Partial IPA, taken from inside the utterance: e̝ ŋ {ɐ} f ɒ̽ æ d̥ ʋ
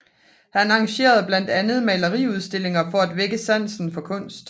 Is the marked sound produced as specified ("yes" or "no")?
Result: yes